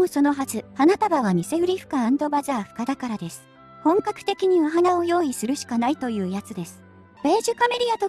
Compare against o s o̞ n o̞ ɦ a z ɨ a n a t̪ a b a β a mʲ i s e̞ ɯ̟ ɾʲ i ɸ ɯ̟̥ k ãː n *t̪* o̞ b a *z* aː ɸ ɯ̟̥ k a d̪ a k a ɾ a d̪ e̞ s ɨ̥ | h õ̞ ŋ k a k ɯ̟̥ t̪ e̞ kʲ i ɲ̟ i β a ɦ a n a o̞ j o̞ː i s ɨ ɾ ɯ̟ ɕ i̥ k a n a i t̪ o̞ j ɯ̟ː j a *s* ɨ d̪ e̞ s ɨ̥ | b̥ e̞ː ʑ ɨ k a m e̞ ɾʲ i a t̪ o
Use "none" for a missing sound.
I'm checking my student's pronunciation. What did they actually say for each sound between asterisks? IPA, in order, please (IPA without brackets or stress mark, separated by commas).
d̪, z, t͡s